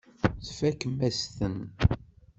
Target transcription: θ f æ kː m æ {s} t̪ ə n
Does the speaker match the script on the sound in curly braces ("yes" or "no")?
yes